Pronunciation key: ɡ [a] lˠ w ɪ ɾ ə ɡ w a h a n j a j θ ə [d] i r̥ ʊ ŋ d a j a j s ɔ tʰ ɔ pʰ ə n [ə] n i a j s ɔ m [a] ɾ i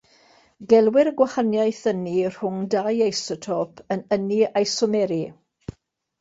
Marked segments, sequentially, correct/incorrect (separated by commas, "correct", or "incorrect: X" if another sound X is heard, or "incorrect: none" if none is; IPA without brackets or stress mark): incorrect: ɛ, incorrect: n, correct, incorrect: ɛ